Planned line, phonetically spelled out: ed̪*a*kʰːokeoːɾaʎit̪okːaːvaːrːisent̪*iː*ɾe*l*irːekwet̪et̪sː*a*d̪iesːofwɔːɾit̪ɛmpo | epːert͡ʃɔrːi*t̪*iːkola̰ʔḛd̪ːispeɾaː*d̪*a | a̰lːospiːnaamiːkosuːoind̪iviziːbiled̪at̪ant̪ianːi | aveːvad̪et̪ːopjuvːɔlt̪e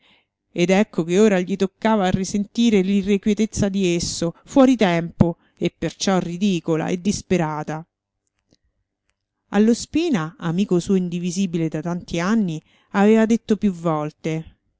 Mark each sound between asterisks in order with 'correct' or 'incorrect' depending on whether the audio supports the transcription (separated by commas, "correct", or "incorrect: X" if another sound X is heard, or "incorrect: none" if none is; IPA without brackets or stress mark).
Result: incorrect: ɛ, correct, correct, correct, incorrect: d̪, incorrect: t̪